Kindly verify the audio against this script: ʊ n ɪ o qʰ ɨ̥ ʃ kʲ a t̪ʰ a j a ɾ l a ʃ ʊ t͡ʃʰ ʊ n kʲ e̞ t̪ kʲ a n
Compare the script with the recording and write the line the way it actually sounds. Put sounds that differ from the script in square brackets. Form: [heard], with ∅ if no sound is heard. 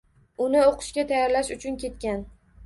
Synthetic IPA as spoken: ʊ n ɪ o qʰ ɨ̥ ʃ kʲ a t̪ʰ a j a ɾ l a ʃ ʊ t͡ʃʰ ʊ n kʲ e̞ t̪ kʲ a n